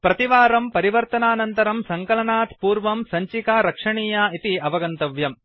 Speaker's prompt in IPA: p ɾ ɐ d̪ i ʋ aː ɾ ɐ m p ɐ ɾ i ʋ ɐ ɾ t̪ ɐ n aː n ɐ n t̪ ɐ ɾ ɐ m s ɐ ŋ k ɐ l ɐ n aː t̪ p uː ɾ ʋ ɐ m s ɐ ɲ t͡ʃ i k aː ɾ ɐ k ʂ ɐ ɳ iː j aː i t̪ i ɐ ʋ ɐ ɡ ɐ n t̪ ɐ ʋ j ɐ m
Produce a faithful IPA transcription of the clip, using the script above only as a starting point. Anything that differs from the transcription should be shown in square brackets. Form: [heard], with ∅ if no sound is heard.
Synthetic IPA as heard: p ɾ ɐ [t̪] i ʋ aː ɾ ɐ m p ɐ ɾ i ʋ ɐ ɾ t̪ ɐ n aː n ɐ n t̪ ɐ ɾ ɐ m s ɐ ŋ k ɐ l ɐ n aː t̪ p uː ɾ ʋ ɐ m s ɐ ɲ t͡ʃ i k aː ɾ ɐ k ʂ ɐ ɳ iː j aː i t̪ i ɐ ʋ ɐ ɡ ɐ n t̪ ɐ ʋ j ɐ m